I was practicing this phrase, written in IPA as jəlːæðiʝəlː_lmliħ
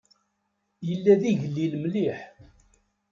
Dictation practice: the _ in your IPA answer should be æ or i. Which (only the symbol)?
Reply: i